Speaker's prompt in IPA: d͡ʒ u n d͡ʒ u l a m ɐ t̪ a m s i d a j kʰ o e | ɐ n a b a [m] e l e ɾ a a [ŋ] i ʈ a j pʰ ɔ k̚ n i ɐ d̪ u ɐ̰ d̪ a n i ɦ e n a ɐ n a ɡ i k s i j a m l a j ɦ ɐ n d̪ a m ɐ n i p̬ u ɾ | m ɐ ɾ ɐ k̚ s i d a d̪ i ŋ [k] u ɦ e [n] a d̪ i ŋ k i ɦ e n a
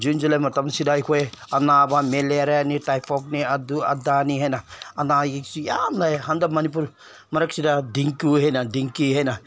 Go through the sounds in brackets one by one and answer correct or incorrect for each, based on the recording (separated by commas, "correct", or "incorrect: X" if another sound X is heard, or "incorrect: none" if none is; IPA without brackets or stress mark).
correct, incorrect: n, correct, correct